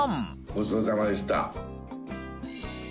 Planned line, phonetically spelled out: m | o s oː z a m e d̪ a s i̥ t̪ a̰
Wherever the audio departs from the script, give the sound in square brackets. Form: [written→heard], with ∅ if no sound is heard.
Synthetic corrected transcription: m | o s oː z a m [e→a] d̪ [a→e] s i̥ t̪ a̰